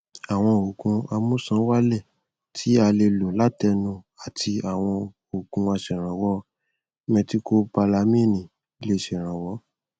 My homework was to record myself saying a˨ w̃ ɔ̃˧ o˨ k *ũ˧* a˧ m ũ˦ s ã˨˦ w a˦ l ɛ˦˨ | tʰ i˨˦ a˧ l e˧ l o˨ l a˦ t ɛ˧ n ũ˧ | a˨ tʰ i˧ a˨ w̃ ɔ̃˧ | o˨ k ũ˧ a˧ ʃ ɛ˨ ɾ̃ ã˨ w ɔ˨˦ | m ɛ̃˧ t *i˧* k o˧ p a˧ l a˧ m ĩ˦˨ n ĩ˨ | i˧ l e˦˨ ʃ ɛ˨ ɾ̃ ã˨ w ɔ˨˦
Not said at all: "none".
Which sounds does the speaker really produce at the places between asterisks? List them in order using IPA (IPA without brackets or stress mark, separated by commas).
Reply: ũ˧, i˧